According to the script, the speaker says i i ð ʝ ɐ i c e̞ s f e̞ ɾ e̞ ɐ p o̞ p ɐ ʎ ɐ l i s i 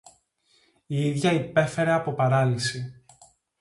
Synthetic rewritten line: i i ð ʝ ɐ i p e̞ f e̞ ɾ e̞ ɐ p o̞ p ɐ ɾ ɐ l i s i